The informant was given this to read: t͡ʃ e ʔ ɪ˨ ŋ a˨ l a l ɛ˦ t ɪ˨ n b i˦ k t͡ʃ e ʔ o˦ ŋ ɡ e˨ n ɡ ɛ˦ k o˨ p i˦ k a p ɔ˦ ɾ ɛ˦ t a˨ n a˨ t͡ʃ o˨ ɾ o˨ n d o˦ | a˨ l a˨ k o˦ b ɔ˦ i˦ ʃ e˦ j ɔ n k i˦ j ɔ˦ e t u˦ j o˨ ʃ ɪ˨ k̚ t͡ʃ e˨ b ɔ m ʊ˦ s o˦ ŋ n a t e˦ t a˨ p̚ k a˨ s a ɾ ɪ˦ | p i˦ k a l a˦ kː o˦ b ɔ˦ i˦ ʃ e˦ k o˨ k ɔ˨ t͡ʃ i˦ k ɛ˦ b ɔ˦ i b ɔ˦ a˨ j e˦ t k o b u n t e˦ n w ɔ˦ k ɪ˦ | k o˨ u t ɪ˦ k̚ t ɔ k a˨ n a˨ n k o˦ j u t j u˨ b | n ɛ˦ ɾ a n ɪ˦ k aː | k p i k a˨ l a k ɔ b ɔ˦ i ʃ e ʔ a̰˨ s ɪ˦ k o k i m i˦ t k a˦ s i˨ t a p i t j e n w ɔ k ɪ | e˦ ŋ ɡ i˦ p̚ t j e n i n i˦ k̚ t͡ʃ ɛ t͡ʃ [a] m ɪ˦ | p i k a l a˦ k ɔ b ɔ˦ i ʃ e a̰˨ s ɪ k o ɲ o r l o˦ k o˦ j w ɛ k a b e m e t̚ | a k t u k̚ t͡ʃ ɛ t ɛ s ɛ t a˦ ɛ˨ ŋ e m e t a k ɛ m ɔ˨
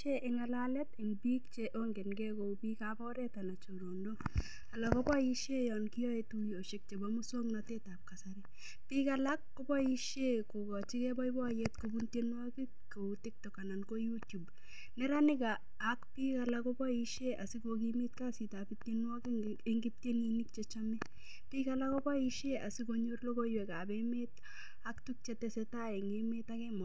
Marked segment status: correct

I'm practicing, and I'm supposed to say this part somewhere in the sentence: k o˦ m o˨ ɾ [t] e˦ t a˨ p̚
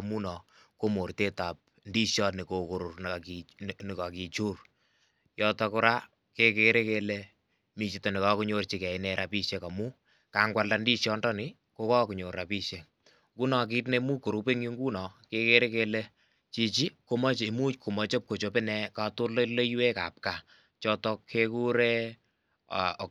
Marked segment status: correct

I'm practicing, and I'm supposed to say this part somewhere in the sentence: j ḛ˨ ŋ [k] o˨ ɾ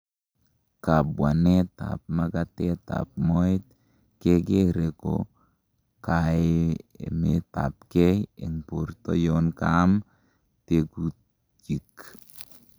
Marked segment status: incorrect: p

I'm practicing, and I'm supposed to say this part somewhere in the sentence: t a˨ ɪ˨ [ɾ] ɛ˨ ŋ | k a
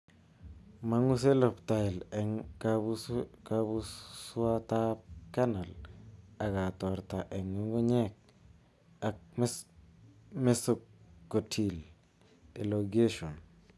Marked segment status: incorrect: l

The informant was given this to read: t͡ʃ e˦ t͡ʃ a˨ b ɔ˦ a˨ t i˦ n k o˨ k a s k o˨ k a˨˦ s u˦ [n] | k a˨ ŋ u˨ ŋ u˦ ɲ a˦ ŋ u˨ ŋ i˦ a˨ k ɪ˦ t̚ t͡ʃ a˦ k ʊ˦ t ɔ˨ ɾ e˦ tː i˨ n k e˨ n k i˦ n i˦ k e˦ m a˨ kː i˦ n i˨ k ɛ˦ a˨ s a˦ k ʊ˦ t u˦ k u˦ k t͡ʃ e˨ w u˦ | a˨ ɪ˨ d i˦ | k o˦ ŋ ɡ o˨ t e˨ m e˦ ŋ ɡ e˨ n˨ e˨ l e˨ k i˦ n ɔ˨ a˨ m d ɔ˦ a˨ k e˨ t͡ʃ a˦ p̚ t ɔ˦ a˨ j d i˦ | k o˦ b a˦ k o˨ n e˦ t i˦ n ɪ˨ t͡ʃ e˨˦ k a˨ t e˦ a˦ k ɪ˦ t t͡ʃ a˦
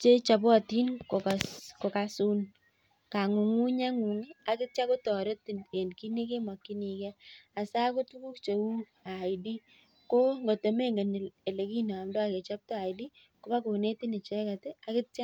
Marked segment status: correct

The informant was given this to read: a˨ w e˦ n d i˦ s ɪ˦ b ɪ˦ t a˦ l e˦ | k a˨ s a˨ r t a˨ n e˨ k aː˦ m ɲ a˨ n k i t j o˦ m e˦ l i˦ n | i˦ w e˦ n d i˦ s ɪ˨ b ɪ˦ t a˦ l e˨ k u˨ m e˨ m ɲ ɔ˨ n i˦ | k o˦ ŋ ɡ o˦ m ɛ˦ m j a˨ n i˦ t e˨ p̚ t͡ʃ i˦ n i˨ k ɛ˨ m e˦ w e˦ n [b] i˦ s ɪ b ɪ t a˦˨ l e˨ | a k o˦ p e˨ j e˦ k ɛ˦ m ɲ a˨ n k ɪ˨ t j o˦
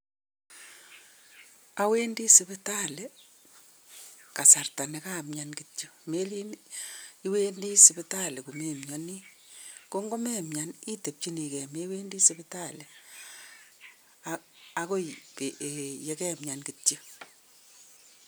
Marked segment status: incorrect: d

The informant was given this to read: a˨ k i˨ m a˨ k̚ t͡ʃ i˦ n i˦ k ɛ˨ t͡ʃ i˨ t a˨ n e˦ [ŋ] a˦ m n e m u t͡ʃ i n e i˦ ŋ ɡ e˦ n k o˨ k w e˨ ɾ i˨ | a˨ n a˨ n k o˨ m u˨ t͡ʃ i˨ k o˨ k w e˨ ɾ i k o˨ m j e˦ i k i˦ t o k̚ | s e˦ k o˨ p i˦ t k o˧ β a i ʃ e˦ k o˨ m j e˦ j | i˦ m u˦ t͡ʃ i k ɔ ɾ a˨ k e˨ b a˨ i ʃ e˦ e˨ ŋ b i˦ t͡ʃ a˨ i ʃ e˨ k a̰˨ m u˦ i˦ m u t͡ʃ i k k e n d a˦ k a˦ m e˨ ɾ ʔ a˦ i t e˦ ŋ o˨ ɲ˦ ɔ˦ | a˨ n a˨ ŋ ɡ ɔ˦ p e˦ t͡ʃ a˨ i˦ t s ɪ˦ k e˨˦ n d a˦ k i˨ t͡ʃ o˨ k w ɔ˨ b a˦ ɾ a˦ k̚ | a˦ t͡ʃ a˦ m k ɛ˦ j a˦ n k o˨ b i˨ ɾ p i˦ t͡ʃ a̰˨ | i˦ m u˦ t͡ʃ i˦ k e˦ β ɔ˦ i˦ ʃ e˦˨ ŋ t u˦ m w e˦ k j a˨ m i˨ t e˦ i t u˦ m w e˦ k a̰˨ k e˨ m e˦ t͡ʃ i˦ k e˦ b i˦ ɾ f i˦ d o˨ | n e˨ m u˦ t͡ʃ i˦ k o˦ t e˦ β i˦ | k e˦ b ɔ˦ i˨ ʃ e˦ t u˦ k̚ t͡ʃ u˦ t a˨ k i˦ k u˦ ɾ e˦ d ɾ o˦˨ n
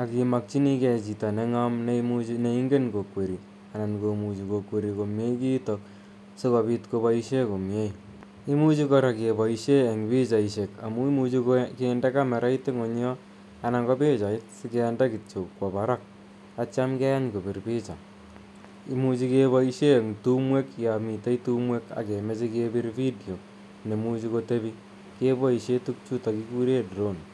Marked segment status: correct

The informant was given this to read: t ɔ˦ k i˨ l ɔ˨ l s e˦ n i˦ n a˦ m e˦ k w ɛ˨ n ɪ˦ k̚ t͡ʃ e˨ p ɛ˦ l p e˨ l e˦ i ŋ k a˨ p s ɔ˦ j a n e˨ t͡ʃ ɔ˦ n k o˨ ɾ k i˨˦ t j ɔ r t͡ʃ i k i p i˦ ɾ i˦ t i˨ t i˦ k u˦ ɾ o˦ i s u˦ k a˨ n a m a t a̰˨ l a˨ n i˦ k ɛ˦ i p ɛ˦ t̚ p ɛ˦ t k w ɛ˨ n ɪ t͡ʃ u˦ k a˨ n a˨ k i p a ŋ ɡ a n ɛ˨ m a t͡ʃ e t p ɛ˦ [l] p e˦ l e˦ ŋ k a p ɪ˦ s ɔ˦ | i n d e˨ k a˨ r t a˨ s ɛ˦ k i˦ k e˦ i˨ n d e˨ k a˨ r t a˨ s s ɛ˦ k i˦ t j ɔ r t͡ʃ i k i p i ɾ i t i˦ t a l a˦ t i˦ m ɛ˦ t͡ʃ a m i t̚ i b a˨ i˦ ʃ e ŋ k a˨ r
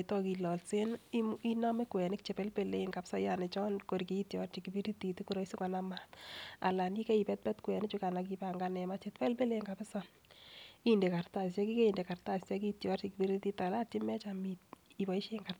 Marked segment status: correct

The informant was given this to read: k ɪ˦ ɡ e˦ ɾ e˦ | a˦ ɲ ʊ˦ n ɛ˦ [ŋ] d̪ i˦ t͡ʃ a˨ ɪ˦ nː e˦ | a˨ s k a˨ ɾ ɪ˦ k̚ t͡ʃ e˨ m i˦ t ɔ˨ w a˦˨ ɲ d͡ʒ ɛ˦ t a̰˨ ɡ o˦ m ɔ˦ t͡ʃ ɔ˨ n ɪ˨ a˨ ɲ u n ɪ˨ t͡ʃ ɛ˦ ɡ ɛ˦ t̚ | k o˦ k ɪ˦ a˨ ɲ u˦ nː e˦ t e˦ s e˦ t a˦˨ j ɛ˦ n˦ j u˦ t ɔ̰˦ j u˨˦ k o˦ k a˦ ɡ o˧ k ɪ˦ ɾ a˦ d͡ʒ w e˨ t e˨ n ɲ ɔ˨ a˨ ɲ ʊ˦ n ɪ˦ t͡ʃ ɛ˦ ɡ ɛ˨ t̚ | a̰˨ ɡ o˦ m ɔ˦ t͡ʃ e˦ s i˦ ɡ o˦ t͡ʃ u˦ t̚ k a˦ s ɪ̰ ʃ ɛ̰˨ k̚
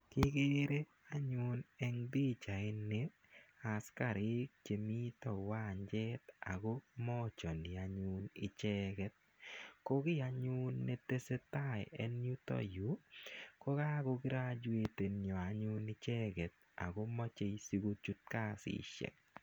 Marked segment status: correct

